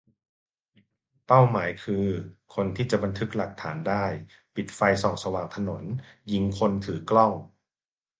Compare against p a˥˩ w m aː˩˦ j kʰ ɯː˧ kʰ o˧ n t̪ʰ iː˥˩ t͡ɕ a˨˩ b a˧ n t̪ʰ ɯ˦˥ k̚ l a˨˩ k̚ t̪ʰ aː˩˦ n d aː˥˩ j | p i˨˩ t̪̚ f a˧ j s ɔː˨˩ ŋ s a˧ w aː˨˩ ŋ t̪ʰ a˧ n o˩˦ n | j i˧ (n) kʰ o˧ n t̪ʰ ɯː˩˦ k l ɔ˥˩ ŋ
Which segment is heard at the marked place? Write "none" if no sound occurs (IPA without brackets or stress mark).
ŋ